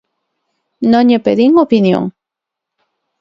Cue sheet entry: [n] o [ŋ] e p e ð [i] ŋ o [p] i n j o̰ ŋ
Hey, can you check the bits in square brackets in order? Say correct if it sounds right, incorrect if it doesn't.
correct, incorrect: ɲ, correct, correct

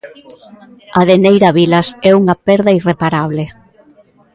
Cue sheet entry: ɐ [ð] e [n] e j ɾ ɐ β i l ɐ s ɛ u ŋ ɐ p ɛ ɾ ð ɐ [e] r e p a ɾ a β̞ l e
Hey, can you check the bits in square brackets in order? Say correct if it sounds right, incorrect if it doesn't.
correct, correct, incorrect: i

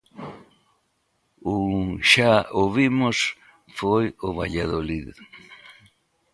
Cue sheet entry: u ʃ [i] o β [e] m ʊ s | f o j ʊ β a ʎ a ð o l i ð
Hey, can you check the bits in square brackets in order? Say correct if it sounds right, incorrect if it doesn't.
incorrect: a, incorrect: i

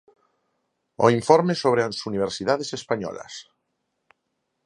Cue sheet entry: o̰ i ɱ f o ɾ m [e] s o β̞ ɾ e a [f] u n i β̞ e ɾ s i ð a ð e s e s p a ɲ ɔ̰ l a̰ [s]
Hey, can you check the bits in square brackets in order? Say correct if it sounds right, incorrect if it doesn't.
correct, incorrect: s, correct

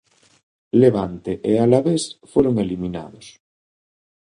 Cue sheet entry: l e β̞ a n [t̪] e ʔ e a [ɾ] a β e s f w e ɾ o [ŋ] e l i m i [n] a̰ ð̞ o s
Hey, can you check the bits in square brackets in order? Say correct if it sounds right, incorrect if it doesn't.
correct, incorrect: l, correct, correct

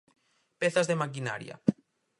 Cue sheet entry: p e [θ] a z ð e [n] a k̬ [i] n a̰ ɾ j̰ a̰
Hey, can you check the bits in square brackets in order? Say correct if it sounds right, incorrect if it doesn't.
correct, incorrect: m, correct

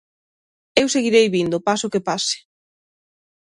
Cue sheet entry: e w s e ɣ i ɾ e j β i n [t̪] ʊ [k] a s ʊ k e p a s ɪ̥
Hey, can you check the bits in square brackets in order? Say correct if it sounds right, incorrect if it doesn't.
incorrect: d̪, incorrect: p

